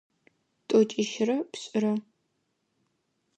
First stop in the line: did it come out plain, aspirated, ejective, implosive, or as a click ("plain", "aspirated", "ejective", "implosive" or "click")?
ejective